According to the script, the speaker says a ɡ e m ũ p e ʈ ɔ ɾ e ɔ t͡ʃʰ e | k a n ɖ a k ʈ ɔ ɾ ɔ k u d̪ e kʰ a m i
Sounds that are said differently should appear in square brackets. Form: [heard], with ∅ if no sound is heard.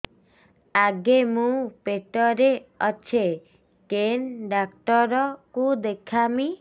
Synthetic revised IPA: a ɡ e m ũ p e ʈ ɔ ɾ e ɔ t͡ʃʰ e | k [e] n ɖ a k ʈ ɔ ɾ ɔ k u d̪ e kʰ a m i